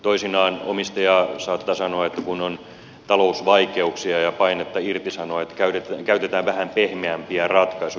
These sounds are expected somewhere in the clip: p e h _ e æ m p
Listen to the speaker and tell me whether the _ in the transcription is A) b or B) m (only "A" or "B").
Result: B